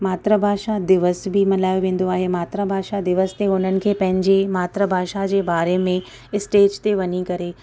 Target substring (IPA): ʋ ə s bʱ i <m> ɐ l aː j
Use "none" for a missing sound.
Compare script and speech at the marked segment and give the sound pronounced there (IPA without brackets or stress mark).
m